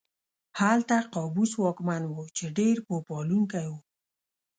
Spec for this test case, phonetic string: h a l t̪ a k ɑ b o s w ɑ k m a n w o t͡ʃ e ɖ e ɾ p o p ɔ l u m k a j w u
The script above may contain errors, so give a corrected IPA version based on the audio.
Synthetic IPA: h a l t̪ a q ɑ b u s w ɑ k m a n w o t͡ʃ e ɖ e ɾ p o p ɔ l u ŋ k a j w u